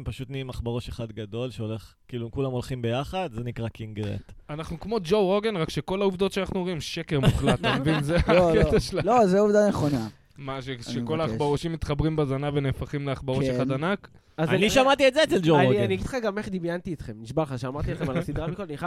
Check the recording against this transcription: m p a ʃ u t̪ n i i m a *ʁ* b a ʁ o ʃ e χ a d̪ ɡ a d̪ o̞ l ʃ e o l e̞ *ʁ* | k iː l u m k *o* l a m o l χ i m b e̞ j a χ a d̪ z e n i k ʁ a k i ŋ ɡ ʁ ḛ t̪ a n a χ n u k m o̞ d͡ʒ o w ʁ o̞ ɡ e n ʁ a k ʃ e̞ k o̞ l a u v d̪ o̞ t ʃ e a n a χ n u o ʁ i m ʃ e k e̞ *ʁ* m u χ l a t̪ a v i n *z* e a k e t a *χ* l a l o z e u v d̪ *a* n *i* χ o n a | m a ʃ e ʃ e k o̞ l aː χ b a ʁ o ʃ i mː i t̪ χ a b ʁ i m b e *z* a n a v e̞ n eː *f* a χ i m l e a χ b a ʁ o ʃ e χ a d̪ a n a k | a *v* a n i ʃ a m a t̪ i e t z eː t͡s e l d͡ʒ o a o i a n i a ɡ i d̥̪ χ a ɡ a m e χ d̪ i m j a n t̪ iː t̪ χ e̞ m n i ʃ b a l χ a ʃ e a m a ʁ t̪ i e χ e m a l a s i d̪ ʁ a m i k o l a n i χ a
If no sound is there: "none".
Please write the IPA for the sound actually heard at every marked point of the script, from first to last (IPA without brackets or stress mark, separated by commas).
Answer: χ, χ, u, ʁ, z, ʃ, a, e, z, f, z